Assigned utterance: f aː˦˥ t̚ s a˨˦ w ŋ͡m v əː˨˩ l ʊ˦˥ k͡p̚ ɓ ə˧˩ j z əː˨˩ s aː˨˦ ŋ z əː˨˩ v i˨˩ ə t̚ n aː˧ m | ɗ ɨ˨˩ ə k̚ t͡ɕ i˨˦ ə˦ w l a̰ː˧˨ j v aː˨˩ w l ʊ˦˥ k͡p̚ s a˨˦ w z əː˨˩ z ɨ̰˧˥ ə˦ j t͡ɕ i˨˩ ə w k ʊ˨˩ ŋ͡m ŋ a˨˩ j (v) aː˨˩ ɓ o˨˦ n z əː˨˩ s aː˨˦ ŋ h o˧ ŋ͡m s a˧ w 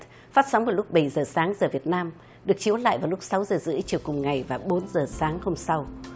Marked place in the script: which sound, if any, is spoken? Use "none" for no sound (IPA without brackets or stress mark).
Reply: v